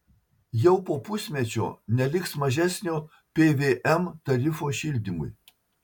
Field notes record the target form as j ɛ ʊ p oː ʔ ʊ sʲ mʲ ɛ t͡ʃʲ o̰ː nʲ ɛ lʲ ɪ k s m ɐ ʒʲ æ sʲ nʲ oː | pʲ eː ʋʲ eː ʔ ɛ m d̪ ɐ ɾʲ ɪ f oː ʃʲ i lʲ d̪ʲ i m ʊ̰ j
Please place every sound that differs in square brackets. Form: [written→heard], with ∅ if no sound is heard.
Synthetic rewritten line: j ɛ ʊ p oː [ʔ→p] ʊ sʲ mʲ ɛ t͡ʃʲ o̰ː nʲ ɛ lʲ ɪ k s m ɐ ʒʲ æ sʲ nʲ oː | pʲ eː ʋʲ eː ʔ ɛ m [d̪→t̪] ɐ ɾʲ ɪ f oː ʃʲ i lʲ d̪ʲ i m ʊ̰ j